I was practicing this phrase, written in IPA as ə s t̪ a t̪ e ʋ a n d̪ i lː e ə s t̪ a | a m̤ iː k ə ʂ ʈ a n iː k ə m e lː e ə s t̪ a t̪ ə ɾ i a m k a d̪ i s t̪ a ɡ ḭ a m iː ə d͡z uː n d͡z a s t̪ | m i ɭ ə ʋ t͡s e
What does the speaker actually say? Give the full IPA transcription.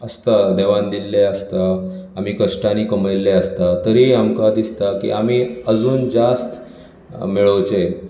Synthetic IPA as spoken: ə s t̪ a d̪ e ʋ a n d̪ i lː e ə s t̪ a | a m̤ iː k ə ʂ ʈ a n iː k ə m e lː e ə s t̪ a t̪ ə ɾ i a m k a d̪ i s t̪ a k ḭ a m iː ə d͡z uː n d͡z a s t̪ | m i ɭ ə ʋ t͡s e